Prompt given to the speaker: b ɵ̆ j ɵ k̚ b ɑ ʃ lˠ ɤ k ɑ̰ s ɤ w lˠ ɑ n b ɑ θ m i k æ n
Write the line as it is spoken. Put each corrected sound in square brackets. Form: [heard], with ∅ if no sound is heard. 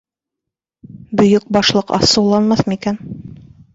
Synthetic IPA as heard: b ɵ̆ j ɵ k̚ b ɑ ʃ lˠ ɤ [q] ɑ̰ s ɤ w lˠ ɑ n [m] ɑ θ m i k æ n

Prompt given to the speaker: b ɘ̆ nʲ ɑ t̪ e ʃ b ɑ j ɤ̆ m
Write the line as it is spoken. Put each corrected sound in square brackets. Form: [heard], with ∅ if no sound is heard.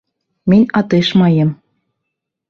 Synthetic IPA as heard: [m] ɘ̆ nʲ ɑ t̪ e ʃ [m] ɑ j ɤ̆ m

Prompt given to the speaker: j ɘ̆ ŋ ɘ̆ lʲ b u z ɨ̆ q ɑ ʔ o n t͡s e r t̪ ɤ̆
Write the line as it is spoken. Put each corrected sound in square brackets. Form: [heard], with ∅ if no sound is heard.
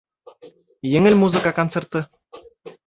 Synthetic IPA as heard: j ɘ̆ ŋ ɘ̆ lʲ [m] u z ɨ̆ [k] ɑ [k] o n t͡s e r t̪ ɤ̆

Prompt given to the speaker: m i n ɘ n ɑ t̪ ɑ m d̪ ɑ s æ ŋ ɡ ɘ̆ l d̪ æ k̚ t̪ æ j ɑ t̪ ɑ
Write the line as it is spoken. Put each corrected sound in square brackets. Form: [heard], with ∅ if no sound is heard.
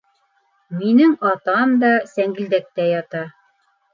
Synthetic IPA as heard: m i n ɘ [ŋ] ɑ t̪ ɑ m d̪ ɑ s æ ŋ ɡ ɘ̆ l d̪ æ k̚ t̪ æ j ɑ t̪ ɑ

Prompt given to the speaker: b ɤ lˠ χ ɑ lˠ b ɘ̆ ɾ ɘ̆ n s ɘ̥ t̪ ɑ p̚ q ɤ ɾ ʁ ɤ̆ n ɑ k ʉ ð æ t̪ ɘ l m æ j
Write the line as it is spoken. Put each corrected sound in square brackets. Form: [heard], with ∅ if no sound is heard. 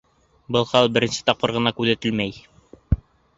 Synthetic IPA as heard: b ɤ lˠ χ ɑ lˠ b ɘ̆ ɾ ɘ̆ n s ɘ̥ t̪ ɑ p̚ q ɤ ɾ ʁ ɤ̆ n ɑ k ʉ ð æ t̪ ɘ l m æ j

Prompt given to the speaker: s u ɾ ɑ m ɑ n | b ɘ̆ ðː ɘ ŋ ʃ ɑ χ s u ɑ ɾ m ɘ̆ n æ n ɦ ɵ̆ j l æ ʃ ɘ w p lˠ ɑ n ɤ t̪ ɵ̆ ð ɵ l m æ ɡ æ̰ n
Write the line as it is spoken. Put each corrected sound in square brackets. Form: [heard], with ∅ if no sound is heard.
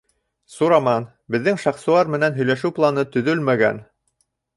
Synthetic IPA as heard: s u ɾ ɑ m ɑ n | b ɘ̆ ðː ɘ ŋ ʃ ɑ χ s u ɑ ɾ m ɘ̆ n æ n ɦ ɵ̆ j l æ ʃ ɘ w p lˠ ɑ n ɤ t̪ ɵ̆ ð ɵ l m æ ɡ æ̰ n

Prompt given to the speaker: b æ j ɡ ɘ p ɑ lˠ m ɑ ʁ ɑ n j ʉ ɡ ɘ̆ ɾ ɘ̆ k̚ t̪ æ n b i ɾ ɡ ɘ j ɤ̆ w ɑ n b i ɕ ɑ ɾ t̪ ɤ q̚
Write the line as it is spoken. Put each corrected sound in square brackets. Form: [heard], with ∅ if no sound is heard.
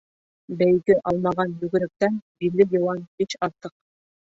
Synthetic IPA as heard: b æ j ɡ ɘ [ʔ] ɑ lˠ m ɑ ʁ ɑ n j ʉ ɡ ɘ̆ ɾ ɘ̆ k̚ t̪ æ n b i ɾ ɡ ɘ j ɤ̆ w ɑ n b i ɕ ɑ ɾ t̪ ɤ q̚

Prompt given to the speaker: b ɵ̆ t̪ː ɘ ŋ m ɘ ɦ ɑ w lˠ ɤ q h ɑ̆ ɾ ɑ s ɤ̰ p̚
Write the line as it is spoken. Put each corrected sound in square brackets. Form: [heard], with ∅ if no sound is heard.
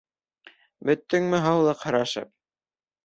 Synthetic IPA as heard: b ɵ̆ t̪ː ɘ ŋ m ɘ ɦ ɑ w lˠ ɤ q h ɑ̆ ɾ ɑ [ʃ] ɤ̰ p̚

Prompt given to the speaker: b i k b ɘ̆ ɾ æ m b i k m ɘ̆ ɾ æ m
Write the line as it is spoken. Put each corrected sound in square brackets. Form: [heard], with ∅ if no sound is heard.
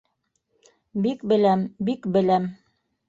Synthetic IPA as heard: b i k b ɘ̆ [l] æ m b i k [b] ɘ̆ [l] æ m

